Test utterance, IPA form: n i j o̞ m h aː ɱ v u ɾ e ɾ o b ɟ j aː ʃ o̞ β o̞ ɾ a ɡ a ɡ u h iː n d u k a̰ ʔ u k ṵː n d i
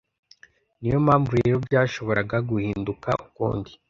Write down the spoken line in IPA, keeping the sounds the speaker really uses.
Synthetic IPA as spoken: n i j o̞ m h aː ɱ v u ɾ e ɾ o b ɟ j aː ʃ o̞ β o̞ ɾ a ɡ a ɡ u h iː n d u k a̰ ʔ u k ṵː n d i